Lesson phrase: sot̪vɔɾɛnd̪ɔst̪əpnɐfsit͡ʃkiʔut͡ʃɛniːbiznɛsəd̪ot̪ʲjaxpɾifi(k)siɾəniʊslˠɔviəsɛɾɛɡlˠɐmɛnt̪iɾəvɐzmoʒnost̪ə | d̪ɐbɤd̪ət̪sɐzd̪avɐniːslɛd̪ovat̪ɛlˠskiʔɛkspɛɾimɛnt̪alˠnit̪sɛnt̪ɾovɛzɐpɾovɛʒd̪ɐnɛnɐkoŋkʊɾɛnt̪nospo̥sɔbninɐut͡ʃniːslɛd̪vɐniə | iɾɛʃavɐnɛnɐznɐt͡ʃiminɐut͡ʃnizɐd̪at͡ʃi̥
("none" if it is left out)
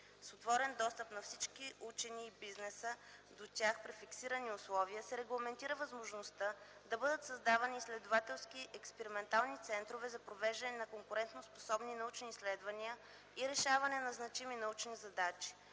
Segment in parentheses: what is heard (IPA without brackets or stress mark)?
k